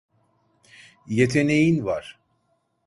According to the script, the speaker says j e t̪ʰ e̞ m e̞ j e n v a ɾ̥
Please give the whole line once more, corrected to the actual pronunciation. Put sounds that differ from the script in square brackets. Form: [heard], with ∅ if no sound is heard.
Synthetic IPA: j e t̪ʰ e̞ [n] e̞ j [i] n v a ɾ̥